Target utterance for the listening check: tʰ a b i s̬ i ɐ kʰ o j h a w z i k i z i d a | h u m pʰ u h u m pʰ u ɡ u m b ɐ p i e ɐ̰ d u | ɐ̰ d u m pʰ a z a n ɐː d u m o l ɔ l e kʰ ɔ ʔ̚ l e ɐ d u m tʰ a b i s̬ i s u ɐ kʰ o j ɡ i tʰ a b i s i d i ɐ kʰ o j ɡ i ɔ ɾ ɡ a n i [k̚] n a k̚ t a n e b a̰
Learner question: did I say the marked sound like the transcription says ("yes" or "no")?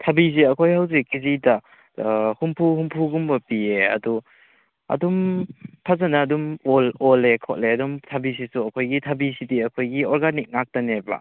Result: yes